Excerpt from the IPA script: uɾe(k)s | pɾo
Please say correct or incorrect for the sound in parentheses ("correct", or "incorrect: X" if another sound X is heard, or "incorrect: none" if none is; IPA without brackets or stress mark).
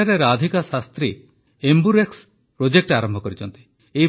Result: correct